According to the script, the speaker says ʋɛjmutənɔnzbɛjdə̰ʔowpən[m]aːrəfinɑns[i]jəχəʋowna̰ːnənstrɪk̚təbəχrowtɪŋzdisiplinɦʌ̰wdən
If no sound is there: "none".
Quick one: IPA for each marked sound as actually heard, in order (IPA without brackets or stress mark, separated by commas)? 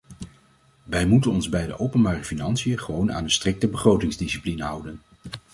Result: b, i